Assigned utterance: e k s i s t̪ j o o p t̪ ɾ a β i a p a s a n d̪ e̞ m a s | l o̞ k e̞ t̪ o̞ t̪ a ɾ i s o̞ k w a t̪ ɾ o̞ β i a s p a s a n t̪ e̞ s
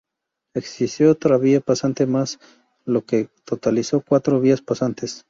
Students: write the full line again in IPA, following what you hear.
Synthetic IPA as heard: e k s i s t̪ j o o t̪ ɾ a β i a p a s a n t̪ e̞ m a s | l o̞ k e̞ t̪ o̞ t̪ a l i s o̞ k w a t̪ ɾ o̞ β i a s p a s a n t̪ e̞ s